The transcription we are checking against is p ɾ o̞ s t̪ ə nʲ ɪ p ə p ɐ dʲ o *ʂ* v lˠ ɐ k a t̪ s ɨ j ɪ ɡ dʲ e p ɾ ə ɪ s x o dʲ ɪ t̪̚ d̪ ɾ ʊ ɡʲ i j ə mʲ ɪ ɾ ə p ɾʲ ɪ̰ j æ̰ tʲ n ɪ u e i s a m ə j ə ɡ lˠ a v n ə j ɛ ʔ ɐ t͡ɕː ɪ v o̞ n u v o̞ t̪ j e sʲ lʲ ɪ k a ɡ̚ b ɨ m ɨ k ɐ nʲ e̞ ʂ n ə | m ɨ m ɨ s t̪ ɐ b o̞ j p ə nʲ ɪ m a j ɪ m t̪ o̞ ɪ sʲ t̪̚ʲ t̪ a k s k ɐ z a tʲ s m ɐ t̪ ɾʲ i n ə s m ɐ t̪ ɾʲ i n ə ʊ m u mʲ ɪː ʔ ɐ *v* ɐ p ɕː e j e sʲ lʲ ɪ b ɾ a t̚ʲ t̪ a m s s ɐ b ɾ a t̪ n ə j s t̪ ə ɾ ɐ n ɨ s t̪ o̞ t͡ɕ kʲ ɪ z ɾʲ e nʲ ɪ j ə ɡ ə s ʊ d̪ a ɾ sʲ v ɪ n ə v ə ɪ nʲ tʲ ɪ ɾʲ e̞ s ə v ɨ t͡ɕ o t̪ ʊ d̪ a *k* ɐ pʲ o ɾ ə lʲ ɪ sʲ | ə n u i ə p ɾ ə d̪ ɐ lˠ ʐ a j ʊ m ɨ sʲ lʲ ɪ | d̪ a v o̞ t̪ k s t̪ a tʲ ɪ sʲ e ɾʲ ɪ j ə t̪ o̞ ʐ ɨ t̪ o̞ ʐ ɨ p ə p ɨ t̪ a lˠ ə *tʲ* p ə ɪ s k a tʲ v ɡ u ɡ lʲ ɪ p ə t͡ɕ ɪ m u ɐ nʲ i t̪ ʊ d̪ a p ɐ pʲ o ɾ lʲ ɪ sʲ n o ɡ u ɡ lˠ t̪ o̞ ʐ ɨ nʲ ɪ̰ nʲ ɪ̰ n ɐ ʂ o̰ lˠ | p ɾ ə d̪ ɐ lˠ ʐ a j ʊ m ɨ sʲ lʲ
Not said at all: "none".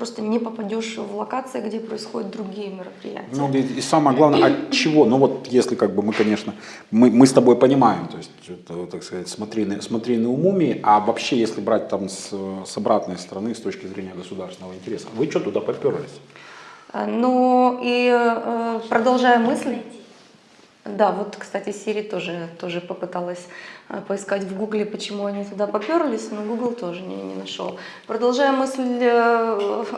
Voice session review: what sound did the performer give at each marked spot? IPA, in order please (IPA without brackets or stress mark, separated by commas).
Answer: ʂ, v, p, sʲ